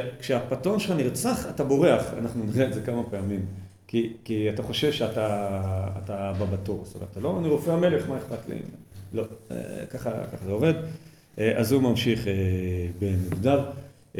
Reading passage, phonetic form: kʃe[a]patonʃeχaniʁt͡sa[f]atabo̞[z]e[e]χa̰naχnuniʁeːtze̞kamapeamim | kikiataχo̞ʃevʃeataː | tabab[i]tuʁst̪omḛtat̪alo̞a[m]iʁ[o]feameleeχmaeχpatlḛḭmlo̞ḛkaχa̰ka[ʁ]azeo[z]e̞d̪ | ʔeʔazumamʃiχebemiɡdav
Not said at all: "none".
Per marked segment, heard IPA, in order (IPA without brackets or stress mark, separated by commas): a, χ, ʁ, a, a, n, o, χ, v